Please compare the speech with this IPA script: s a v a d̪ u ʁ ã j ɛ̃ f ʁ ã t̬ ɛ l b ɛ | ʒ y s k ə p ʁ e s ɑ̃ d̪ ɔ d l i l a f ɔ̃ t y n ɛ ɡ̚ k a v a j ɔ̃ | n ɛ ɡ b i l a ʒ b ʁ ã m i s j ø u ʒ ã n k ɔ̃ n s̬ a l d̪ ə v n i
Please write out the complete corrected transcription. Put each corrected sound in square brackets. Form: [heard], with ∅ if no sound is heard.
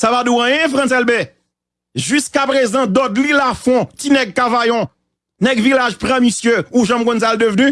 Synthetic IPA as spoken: s a v a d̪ u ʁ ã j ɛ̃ f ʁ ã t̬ ɛ l b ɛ | ʒ y s k [a] p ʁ e [z] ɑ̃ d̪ ɔ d l i l a f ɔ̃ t [i] n ɛ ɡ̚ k a v a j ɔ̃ | n ɛ ɡ [v] i l a ʒ [p] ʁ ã m i s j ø u ʒ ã [m] k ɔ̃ n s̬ a l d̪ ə v n [y]